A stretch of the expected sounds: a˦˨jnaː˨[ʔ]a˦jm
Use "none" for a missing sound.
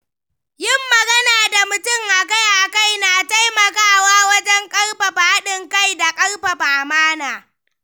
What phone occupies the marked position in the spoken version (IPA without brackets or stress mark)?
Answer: t